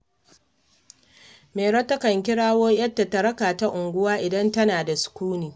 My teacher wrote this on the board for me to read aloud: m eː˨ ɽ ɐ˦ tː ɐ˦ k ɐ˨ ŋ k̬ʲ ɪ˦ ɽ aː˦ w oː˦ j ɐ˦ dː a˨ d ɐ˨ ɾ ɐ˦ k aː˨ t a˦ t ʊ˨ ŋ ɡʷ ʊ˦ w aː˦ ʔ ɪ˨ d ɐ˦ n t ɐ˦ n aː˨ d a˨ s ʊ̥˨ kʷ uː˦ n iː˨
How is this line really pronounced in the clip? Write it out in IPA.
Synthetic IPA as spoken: m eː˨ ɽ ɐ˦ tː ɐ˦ k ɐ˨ ŋ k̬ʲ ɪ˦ ɽ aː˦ w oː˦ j ɐ˦ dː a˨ t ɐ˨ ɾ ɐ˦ k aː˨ t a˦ ʔ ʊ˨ ŋ ɡʷ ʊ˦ w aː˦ ʔ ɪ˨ d ɐ˦ n t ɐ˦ n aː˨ d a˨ s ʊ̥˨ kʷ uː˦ n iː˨